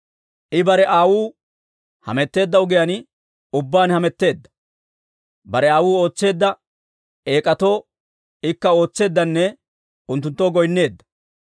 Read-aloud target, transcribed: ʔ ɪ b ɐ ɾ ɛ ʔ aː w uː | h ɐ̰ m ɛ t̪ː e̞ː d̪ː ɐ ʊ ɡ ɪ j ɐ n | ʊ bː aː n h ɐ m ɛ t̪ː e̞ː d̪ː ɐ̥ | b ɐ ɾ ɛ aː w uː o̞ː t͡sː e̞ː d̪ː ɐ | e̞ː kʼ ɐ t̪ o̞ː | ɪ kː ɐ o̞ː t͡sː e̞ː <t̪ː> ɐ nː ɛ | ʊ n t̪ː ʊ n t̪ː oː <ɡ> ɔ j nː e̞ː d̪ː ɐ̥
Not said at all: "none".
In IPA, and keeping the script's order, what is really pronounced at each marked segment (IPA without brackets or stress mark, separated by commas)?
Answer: d̪ː, ɡ